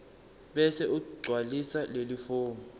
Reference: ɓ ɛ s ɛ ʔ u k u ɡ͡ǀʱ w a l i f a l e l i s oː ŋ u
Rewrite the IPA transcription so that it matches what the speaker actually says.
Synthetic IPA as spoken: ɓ ɛ s ɛ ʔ u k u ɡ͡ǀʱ w a l i s a l e l i f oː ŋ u